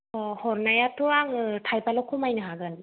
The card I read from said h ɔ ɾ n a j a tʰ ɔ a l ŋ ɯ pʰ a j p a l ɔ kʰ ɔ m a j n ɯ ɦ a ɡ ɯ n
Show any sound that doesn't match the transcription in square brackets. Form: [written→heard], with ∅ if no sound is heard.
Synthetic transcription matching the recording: h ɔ ɾ n a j a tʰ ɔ a [l→∅] ŋ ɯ [pʰ→tʰ] a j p a l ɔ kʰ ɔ m a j n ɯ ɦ a ɡ ɯ n